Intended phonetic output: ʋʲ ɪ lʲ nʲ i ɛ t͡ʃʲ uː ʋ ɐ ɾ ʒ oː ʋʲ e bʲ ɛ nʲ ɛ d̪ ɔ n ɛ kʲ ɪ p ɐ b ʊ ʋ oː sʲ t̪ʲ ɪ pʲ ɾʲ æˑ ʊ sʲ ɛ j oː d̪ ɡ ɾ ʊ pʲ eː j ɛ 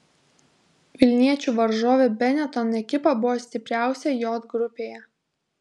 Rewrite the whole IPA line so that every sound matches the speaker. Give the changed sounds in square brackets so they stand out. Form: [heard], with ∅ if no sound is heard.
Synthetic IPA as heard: ʋʲ ɪ lʲ nʲ i ɛ t͡ʃʲ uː ʋ ɐ ɾ ʒ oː ʋʲ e bʲ ɛ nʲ ɛ [t̪] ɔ n ɛ kʲ ɪ p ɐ b ʊ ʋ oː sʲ t̪ʲ ɪ pʲ ɾʲ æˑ ʊ sʲ ɛ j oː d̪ ɡ ɾ ʊ pʲ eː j ɛ